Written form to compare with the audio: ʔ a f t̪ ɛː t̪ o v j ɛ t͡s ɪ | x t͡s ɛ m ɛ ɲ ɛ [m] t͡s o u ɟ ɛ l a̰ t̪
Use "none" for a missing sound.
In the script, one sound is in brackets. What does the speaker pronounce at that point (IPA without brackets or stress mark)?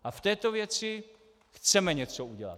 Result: none